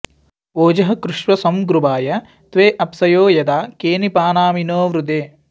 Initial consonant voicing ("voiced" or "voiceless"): voiced